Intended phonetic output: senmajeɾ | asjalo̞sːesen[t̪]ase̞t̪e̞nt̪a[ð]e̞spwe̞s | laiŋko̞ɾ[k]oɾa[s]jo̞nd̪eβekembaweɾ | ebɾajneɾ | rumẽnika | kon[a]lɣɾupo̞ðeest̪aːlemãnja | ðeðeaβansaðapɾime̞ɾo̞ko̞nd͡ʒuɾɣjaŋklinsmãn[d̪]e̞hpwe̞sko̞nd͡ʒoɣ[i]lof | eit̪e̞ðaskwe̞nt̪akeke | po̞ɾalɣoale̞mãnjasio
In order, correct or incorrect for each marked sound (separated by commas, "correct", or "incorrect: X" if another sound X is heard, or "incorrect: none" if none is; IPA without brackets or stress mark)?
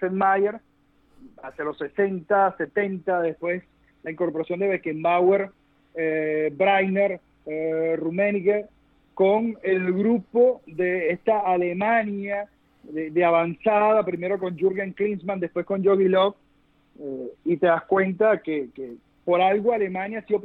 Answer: correct, correct, incorrect: p, correct, incorrect: e, correct, correct